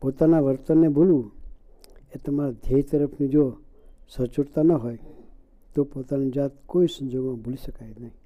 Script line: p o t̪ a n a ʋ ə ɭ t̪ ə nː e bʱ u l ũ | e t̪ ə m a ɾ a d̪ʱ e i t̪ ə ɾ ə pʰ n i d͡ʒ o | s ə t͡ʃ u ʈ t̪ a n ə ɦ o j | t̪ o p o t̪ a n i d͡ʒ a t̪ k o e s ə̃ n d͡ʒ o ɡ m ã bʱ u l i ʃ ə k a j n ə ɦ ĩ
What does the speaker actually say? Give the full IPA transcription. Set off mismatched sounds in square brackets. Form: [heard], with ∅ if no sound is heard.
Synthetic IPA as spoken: p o t̪ a n a ʋ ə [ɾ] t̪ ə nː e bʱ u l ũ | e t̪ ə m a ɾ a d̪ʱ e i t̪ ə ɾ ə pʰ n i d͡ʒ o | s ə t͡ʃ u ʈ t̪ a n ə ɦ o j | t̪ o p o t̪ a n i d͡ʒ a t̪ k o [i] s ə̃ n d͡ʒ o ɡ m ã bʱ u l i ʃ ə k a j n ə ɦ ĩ